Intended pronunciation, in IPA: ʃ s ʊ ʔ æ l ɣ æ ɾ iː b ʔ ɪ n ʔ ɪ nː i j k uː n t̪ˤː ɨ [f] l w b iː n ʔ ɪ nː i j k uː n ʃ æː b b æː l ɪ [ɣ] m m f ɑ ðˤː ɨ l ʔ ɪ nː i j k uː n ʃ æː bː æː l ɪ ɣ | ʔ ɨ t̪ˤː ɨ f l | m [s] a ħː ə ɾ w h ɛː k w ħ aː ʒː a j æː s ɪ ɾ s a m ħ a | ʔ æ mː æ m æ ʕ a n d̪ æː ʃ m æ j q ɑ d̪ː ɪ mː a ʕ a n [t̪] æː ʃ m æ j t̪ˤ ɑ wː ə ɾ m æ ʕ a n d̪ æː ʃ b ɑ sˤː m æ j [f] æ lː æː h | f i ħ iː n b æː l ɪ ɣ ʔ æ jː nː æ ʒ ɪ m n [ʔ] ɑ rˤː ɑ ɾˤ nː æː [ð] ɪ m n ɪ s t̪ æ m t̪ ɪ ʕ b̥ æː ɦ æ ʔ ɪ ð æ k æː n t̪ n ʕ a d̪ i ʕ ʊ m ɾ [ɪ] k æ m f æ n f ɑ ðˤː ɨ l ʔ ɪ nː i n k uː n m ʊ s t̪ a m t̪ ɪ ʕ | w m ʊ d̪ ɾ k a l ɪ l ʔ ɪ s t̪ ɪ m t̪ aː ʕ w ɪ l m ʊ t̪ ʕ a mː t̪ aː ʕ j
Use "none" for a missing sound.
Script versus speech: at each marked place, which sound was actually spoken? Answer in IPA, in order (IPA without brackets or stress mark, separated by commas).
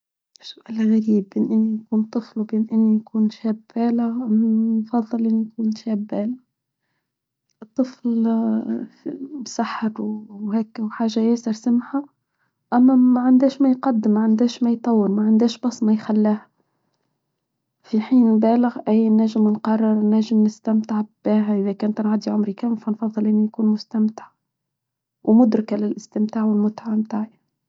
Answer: f, ɣ, s, d̪, x, q, ʒ, i